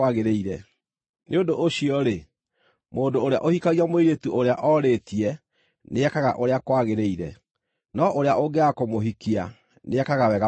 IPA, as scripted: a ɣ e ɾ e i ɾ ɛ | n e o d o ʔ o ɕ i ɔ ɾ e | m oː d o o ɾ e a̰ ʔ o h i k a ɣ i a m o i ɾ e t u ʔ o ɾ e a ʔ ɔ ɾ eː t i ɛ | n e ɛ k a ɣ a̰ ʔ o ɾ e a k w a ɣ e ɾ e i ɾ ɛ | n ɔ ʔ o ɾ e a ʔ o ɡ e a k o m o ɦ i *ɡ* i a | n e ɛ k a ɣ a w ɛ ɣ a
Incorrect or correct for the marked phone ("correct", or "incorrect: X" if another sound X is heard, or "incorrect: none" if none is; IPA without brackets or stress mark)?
incorrect: k